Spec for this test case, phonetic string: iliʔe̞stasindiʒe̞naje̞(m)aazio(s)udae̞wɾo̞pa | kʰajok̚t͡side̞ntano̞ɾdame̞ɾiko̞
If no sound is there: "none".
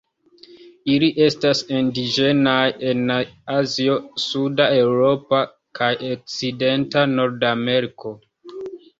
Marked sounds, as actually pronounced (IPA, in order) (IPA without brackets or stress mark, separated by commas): n, s